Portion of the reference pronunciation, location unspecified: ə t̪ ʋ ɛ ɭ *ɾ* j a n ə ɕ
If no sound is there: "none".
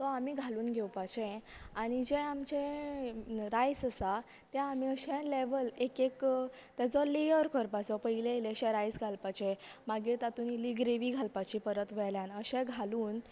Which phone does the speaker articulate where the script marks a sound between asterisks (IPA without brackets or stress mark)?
l